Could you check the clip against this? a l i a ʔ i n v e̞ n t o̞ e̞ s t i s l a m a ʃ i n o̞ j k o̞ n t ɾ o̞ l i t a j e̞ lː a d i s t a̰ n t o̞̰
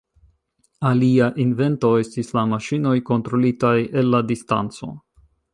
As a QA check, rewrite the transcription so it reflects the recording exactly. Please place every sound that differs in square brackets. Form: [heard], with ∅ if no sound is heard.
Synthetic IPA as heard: a l i a ʔ i n v e̞ n t o̞ e̞ s t i s l a m a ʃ i n o̞ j k o̞ n t ɾ o̞ l i t a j e̞ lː a d i s t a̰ n [t͡s] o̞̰